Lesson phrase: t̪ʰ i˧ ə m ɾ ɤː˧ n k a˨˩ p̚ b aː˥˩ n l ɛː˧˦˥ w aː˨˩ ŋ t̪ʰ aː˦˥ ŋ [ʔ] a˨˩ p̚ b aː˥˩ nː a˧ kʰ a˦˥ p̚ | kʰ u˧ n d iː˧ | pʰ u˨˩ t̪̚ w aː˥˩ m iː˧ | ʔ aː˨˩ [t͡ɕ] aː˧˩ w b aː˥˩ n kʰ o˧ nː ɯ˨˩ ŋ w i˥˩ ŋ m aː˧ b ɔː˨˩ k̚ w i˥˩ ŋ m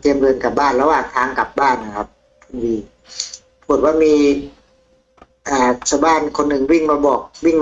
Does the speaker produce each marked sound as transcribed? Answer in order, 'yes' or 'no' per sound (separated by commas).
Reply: no, no